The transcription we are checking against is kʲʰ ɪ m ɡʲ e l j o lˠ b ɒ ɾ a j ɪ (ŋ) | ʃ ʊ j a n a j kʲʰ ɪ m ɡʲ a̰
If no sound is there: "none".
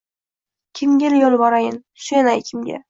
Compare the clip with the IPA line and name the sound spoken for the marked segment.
n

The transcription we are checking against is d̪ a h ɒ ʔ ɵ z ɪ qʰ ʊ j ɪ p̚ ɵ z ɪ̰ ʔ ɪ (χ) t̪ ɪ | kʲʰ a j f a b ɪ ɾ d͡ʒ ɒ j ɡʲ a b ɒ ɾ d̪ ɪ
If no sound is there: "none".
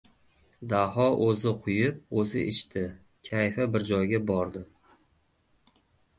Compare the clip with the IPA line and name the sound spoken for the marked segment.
ʃ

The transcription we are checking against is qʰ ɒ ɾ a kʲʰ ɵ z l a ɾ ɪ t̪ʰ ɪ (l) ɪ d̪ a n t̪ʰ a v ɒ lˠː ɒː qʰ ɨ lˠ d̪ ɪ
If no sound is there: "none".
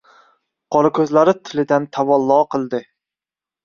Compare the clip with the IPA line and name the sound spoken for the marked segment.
l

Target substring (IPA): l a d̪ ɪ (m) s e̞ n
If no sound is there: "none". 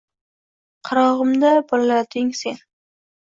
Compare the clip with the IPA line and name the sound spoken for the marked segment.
ŋ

